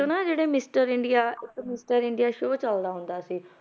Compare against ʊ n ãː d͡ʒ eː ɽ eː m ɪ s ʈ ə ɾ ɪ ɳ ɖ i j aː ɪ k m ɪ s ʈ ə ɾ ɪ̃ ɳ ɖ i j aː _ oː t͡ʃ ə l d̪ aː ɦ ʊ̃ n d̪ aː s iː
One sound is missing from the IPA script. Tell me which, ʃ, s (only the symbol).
ʃ